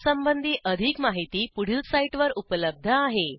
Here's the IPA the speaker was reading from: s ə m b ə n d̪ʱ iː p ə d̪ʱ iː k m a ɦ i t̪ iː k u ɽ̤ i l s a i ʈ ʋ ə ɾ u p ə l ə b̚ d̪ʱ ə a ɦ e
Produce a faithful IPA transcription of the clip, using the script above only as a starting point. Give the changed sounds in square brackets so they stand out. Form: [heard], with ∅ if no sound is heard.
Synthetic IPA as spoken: s ə m b ə n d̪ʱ iː [ʔ] ə d̪ʱ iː k m a ɦ i t̪ iː [p] u ɽ̤ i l s a i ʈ ʋ ə ɾ u p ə l ə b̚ d̪ʱ ə a ɦ e